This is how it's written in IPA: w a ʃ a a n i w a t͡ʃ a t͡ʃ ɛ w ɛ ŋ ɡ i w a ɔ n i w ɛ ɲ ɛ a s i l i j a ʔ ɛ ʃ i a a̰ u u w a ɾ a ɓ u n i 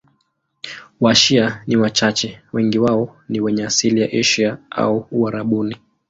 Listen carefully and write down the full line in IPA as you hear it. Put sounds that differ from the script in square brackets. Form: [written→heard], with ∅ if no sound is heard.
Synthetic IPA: w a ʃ [a→i] a n i w a t͡ʃ a t͡ʃ ɛ w ɛ ŋ ɡ i w a ɔ n i w ɛ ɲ ɛ a s i l i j a ʔ ɛ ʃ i a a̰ u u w a ɾ a ɓ u n i